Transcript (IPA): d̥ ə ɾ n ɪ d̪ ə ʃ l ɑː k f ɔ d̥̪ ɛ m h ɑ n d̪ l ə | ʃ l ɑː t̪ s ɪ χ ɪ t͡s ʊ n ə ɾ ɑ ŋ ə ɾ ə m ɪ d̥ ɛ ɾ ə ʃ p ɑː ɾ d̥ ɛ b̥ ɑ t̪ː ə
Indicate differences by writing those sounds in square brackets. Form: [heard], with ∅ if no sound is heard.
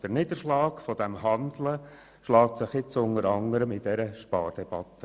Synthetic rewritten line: d̥ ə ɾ n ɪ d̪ ə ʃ l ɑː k f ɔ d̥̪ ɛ m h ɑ n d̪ l ə | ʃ l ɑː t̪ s ɪ χ ɪ t͡s ʊ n ə ɾ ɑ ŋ ə ɾ ə m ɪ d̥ ɛ ɾ ə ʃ p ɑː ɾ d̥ ɛ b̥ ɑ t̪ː ə